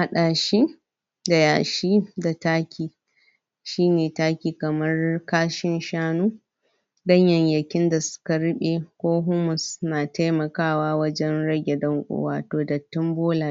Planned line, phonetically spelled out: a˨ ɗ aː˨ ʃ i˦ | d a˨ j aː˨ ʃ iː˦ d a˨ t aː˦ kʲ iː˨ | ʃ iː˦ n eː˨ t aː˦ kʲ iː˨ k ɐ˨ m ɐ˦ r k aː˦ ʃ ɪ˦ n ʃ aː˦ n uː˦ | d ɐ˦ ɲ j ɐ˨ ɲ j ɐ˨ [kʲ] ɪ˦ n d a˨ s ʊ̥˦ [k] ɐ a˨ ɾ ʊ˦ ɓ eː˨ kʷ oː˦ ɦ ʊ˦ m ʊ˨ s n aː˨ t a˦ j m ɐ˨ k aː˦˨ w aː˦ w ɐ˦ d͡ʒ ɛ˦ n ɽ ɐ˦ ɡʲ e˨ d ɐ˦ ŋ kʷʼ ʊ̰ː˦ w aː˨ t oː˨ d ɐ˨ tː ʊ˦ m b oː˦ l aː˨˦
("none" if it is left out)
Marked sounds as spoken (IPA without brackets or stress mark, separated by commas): kʲ, k